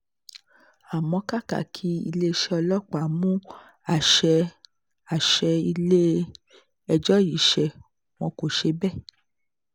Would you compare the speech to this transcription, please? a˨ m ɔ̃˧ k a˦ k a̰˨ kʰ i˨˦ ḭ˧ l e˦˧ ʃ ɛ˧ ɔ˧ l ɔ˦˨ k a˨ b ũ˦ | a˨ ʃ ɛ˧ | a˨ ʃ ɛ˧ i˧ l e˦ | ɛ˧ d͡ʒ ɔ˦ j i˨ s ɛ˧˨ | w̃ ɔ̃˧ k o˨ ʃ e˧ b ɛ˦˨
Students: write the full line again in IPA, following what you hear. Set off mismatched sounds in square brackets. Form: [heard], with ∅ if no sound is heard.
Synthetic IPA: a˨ m ɔ̃˧ k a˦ k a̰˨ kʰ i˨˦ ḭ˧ l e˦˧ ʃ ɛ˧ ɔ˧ l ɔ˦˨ [k͡p] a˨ [m] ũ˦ | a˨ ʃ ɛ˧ | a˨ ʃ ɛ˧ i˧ l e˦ | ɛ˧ d͡ʒ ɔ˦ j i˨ [ʃ] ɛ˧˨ | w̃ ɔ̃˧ k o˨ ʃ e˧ b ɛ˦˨